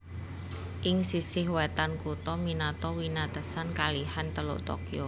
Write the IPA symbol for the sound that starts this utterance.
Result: ʔ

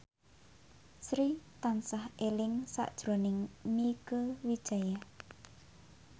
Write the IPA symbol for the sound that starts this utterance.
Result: s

